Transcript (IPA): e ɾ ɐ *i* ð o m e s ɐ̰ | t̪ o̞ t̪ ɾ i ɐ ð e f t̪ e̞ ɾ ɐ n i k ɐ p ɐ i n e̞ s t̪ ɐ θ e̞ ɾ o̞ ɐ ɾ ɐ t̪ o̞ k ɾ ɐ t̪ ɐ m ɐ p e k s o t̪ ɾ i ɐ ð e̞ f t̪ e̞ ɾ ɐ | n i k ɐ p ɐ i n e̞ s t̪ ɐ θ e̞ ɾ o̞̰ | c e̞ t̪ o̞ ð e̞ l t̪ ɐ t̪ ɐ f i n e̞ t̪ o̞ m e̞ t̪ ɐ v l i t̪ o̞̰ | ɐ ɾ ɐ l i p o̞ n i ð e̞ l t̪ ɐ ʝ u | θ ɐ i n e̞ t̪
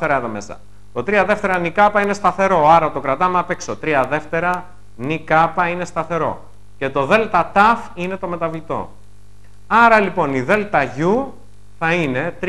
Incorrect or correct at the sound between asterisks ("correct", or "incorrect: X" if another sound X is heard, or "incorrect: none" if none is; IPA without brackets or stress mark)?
incorrect: e